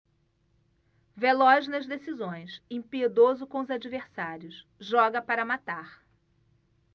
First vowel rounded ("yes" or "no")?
no